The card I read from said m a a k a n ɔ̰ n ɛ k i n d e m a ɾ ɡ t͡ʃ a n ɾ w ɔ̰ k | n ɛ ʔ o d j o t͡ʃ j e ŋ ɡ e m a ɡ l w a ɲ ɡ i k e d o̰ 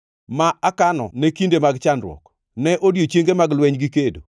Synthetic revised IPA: m a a k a n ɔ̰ n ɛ k i n d e m a ɡ t͡ʃ a n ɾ w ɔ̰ k | n ɛ ʔ o d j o t͡ʃ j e ŋ ɡ e m a ɡ l w ɛ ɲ ɡ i k e d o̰